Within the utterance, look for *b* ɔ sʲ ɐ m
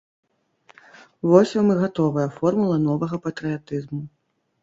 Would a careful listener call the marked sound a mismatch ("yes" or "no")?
yes